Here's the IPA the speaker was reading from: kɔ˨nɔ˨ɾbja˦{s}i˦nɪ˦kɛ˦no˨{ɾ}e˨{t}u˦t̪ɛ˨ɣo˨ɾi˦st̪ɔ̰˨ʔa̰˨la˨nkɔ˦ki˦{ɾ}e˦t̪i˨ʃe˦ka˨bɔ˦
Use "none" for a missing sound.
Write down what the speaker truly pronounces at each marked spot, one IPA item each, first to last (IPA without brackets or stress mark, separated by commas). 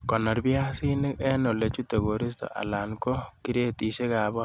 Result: s, l, t͡ʃ, ɾ